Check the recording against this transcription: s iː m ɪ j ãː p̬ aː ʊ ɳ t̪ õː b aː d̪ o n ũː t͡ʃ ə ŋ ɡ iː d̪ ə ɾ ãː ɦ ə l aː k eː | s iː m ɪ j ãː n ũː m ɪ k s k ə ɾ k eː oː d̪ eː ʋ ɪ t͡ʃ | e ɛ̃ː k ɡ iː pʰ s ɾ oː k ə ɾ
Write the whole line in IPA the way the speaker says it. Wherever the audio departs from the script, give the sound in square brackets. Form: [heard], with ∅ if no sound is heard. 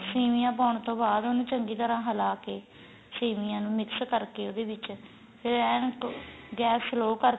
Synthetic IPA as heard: s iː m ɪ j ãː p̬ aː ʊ ɳ t̪ õː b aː d̪ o n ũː t͡ʃ ə ŋ ɡ iː [t̪] ə ɾ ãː ɦ ə l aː k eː | s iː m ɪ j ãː n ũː m ɪ k s k ə ɾ k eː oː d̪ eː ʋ ɪ t͡ʃ | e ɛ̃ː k ɡ [ɛː] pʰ s [l] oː k ə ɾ

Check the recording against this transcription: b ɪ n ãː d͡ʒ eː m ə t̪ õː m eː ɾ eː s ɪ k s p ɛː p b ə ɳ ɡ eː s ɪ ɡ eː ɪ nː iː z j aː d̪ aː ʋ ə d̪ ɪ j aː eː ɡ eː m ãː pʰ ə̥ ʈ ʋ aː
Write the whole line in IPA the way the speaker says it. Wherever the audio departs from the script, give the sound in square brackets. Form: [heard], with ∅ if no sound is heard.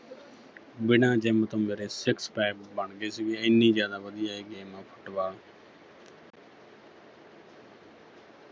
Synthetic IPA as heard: b ɪ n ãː d͡ʒ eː m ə t̪ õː m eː ɾ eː s ɪ k s p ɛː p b ə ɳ ɡ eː s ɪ ɡ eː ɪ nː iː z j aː d̪ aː ʋ ə d̪ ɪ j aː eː ɡ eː m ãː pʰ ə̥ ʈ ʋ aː

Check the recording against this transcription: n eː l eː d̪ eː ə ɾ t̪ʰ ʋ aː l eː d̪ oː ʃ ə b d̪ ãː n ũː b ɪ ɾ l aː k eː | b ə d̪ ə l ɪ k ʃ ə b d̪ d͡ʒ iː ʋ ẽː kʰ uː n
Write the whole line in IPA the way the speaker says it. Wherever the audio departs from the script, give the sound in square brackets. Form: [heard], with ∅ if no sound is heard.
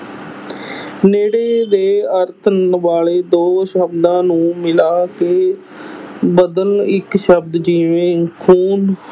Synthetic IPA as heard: n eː [ɽ] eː d̪ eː ə ɾ t̪ʰ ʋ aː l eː d̪ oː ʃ ə b d̪ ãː n ũː [m] ɪ [∅] l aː k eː | b ə d̪ ə l ɪ k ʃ ə b d̪ d͡ʒ iː ʋ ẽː kʰ uː n

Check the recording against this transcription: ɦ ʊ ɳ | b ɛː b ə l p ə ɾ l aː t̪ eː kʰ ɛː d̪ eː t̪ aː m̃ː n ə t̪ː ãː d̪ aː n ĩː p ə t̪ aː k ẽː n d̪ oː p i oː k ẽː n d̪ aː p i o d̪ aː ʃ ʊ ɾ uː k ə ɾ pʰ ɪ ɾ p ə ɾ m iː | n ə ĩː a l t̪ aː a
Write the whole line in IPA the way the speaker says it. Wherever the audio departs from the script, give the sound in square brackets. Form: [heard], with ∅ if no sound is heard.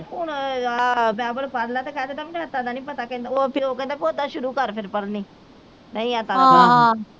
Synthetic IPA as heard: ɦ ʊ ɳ | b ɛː b ə l p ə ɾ l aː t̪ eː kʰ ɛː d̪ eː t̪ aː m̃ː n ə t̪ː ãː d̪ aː n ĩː p ə t̪ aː k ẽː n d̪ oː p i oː k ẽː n d̪ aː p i o d̪ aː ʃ ʊ ɾ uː k ə ɾ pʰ ɪ ɾ p ə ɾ [n] iː | n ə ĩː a [∅] t̪ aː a

